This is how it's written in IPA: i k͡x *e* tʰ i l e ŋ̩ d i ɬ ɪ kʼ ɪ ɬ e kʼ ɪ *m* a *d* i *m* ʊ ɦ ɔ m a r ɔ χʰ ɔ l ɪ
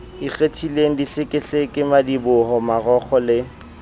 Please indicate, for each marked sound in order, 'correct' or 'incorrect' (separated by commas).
correct, correct, correct, incorrect